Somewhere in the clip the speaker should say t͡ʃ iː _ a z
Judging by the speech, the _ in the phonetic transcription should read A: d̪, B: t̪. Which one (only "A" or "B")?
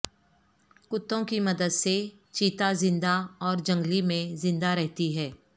B